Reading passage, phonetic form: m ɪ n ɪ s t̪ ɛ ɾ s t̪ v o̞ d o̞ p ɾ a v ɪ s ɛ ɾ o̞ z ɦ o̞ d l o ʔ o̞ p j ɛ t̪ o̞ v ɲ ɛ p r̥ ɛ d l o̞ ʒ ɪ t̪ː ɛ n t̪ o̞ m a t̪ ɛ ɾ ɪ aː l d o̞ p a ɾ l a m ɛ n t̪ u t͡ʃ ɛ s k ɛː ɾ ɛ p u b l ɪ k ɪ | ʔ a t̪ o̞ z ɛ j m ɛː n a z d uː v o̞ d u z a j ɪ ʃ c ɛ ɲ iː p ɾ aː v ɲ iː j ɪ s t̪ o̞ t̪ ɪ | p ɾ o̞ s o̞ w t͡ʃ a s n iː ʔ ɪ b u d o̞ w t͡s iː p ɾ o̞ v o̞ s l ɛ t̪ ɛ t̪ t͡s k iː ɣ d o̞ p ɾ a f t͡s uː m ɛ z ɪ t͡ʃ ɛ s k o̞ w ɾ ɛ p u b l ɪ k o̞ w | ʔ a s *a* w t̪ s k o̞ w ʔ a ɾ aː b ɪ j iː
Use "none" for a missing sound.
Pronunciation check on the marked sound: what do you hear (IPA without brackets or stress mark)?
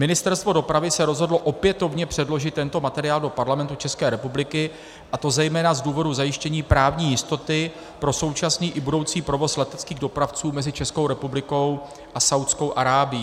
a